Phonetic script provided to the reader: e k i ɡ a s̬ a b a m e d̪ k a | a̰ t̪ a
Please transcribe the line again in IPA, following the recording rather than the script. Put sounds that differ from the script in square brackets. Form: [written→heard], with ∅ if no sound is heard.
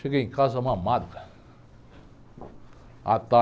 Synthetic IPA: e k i [ɡ→k] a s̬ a [b→m] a m [e→a] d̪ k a | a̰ t̪ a